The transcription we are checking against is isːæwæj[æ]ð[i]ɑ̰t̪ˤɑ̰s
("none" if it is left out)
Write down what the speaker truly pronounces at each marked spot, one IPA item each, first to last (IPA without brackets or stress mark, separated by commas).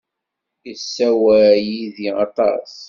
i, i